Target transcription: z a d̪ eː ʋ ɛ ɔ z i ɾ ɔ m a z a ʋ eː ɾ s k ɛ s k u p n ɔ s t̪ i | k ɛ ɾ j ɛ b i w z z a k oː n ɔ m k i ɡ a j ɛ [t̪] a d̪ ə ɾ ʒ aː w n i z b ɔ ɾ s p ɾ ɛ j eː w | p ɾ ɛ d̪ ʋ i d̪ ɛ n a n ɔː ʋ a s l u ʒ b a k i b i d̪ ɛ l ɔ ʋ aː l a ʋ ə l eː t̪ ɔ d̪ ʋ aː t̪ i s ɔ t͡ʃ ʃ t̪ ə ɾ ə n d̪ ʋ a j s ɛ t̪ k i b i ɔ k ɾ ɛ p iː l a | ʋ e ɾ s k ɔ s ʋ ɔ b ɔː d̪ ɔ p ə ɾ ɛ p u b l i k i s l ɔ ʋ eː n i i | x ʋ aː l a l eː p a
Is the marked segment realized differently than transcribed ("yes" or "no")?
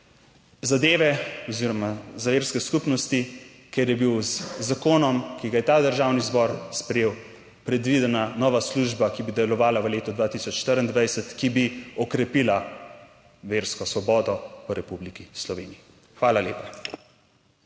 no